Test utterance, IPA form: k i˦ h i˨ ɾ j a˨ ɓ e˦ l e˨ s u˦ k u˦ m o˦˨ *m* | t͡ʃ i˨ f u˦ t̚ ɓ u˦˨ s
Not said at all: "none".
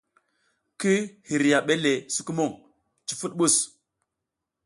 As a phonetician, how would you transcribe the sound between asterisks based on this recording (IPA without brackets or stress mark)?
ŋ